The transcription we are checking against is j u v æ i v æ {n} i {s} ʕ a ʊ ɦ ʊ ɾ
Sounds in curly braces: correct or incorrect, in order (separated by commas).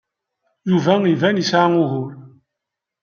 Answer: correct, correct